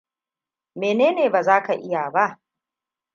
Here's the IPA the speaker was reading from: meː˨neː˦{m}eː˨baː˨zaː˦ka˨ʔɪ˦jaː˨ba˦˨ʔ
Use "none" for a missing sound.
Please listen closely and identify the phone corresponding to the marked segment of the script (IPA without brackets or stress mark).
n